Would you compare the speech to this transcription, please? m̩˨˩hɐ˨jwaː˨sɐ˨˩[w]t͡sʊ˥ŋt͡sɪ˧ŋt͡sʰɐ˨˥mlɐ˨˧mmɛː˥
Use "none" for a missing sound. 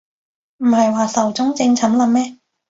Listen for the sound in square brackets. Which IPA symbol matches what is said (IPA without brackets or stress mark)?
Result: w